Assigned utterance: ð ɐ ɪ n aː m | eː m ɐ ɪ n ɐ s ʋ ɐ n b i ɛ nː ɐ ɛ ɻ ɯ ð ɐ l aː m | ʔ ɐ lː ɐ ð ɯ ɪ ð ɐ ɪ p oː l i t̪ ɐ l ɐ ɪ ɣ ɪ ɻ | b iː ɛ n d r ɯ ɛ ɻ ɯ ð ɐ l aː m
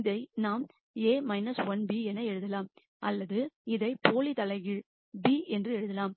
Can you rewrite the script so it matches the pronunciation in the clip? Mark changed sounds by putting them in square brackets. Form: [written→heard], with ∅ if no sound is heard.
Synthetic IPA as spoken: ð ɐ ɪ n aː m | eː m ɐ ɪ n ɐ s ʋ ɐ n b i ɛ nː ɐ ɛ ɻ ɯ ð ɐ l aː m | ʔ ɐ lː ɐ ð ɯ ɪ ð ɐ ɪ p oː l i t̪ ɐ l ɐ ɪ ɣ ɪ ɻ | b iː ɛ n d r ɯ ɛ ɻ ɯ ð ɐ l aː m

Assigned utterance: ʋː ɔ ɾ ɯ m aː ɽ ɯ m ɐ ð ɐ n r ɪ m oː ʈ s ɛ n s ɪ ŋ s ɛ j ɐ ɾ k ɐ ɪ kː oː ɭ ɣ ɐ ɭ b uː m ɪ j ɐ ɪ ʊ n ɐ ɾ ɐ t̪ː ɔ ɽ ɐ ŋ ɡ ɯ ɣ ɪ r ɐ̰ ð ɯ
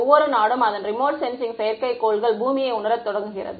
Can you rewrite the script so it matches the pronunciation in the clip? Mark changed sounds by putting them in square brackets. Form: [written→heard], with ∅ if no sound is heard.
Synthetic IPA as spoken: ʋː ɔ ɾ ɯ [m→n] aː ɽ ɯ m ɐ ð ɐ n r ɪ m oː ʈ s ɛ n s ɪ ŋ s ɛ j ɐ ɾ k ɐ ɪ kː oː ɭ ɣ ɐ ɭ b uː m ɪ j ɐ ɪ ʊ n ɐ ɾ ɐ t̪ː ɔ ɽ ɐ ŋ ɡ ɯ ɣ ɪ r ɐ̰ ð ɯ

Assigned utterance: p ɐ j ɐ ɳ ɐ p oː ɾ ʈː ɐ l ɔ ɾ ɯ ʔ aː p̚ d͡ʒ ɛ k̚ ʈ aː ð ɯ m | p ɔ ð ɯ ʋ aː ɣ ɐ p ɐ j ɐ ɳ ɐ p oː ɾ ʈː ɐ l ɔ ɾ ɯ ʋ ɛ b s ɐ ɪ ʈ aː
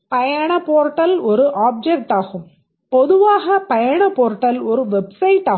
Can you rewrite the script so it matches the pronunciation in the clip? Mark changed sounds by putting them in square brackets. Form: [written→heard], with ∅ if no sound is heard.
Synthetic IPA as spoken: p ɐ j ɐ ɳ ɐ p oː ɾ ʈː ɐ l ɔ ɾ ɯ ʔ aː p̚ d͡ʒ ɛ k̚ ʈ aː [ð→ɣ] ɯ m | p ɔ ð ɯ ʋ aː ɣ ɐ p ɐ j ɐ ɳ ɐ p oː ɾ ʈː ɐ l ɔ ɾ ɯ ʋ ɛ b s ɐ ɪ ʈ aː

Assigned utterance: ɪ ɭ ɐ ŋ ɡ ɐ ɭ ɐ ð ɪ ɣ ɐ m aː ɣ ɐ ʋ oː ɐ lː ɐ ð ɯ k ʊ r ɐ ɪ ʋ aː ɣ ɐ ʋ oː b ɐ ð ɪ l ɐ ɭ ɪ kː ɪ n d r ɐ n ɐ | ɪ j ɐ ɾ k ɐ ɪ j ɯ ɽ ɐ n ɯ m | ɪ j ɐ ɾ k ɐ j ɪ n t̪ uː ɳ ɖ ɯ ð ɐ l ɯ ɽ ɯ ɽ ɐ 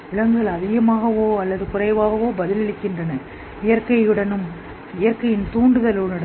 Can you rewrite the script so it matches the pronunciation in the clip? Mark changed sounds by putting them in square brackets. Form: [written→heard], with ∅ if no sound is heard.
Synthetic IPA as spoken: ɪ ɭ ɐ ŋ ɡ ɐ ɭ ɐ ð ɪ ɣ ɐ m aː ɣ ɐ ʋ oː ɐ lː ɐ ð ɯ k ʊ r ɐ ɪ ʋ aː ɣ ɐ ʋ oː b ɐ ð ɪ l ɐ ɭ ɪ kː ɪ n d r ɐ n ɐ | ɪ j ɐ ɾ k ɐ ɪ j ɯ ɽ ɐ n ɯ m | ɪ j ɐ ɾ k ɐ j ɪ n t̪ uː ɳ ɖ ɯ ð ɐ l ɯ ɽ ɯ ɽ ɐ

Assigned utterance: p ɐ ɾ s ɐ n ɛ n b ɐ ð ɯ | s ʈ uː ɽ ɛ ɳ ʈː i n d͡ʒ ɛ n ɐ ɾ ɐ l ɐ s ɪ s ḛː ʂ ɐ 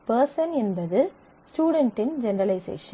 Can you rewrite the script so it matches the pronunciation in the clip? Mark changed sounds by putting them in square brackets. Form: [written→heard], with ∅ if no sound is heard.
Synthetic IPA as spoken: p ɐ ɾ s ɐ n ɛ n b ɐ ð ɯ | s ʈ uː ɽ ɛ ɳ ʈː [i→ɪ] n d͡ʒ ɛ n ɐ ɾ ɐ l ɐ [s→∅] ɪ s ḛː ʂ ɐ

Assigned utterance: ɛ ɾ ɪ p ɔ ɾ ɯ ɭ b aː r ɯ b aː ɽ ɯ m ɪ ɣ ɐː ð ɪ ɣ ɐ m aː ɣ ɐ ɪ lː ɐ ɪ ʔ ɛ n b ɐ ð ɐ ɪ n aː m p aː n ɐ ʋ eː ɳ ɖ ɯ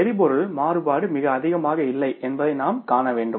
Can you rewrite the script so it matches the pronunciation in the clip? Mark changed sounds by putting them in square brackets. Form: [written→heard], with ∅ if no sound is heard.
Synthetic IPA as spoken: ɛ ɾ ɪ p ɔ ɾ ɯ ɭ [b→m] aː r ɯ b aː ɽ ɯ m ɪ ɣ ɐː ð ɪ ɣ ɐ m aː ɣ ɐ ɪ lː ɐ ɪ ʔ ɛ n b ɐ ð ɐ ɪ n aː m [p→k] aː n ɐ ʋ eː ɳ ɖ ɯ

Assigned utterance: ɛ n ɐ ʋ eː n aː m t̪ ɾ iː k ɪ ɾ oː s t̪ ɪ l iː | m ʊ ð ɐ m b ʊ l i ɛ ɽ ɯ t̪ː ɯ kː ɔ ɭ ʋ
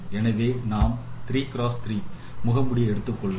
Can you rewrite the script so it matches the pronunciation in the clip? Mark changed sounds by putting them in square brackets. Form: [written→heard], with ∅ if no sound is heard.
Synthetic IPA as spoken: ɛ n ɐ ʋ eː n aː m t̪ ɾ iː k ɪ ɾ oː s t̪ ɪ [l→ɾ] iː | m ʊ [ð→ɣ] ɐ m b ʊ [l→ɽ] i ɛ ɽ ɯ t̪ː ɯ kː ɔ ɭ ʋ

